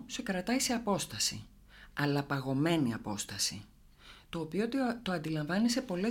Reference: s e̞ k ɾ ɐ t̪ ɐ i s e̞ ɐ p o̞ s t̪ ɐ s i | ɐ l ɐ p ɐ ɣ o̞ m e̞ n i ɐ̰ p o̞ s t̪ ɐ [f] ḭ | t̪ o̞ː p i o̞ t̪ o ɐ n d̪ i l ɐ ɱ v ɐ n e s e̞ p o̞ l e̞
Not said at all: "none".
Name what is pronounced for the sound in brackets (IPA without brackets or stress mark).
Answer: s